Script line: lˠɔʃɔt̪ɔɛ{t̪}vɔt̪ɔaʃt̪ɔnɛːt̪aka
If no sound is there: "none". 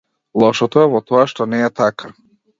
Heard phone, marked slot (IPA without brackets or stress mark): none